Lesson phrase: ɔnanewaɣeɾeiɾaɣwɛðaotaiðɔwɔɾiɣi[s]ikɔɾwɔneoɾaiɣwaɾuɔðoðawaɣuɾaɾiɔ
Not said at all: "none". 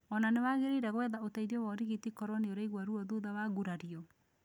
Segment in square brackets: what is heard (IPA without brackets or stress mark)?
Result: t